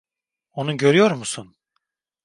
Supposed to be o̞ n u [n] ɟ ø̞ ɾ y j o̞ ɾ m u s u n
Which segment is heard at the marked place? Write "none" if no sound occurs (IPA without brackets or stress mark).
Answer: none